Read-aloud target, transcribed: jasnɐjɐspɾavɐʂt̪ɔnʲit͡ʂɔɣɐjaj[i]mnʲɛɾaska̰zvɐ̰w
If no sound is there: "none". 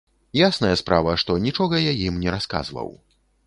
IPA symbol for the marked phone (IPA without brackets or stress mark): i